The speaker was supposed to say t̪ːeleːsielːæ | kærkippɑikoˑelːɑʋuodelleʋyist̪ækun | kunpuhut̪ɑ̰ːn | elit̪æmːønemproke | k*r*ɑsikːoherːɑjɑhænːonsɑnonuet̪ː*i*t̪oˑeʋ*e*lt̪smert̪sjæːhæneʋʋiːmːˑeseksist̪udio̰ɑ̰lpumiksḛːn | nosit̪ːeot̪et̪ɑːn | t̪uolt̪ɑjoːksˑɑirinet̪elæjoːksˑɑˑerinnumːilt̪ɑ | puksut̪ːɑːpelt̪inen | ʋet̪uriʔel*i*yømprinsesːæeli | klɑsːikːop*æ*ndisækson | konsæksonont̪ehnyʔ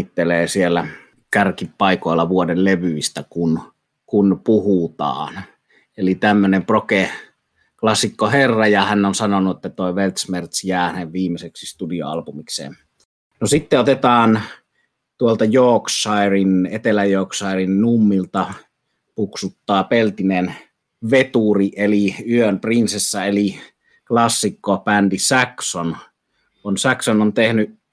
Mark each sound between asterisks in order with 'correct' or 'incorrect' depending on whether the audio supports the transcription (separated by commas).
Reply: incorrect, incorrect, correct, correct, correct